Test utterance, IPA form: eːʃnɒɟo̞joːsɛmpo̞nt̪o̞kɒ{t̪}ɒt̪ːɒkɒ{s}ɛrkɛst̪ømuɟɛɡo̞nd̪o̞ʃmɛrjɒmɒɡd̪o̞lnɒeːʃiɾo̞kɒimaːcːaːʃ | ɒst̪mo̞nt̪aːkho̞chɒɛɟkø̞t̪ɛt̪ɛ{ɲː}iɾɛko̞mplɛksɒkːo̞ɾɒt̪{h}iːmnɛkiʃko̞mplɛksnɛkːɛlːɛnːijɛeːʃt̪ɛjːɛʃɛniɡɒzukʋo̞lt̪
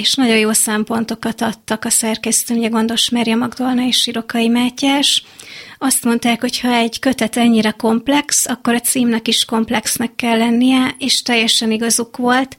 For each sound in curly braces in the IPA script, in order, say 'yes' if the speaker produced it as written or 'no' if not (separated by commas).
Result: yes, yes, yes, no